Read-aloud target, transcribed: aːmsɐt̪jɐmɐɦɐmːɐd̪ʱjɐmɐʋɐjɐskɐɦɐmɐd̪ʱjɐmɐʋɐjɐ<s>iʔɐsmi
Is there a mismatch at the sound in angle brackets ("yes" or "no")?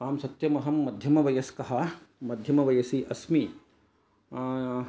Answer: no